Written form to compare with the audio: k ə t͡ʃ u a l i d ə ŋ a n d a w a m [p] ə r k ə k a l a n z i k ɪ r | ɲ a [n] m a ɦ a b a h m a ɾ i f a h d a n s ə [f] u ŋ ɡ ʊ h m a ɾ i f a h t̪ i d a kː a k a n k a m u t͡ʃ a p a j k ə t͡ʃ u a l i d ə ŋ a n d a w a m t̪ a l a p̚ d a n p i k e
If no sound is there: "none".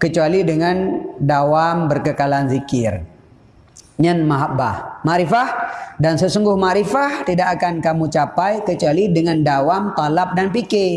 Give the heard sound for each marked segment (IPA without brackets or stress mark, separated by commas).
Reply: b, n, s